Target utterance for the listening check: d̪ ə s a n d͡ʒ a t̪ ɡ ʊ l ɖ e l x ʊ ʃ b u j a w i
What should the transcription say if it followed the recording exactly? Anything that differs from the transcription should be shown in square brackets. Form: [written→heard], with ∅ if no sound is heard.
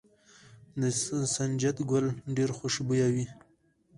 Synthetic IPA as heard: d̪ ə s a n d͡ʒ a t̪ ɡ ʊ l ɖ e [l→ɾ] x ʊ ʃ b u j a w i